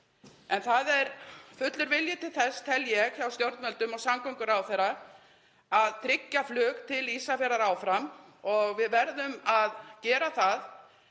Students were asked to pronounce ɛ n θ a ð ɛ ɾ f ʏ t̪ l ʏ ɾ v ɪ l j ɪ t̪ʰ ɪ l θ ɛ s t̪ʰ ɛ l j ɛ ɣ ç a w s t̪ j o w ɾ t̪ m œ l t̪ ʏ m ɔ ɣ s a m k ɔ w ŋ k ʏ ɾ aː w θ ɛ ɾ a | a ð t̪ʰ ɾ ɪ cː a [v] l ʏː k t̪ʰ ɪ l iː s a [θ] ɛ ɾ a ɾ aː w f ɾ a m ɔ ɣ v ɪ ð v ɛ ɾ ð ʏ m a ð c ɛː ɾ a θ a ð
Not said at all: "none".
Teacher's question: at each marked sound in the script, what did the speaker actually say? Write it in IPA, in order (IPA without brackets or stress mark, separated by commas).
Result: f, f